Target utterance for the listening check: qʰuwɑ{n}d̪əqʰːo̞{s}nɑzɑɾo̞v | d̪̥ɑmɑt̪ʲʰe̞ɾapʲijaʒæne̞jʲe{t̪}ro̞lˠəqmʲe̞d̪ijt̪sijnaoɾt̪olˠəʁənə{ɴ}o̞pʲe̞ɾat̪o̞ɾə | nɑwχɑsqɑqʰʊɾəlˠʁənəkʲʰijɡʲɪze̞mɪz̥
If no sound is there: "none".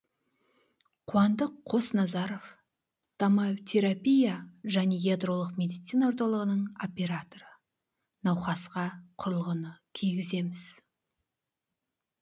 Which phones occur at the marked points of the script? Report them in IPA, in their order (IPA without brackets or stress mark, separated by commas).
n, s, d̪, ɴ